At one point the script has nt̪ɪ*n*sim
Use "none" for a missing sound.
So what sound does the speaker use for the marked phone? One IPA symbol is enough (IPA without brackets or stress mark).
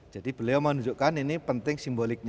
ŋ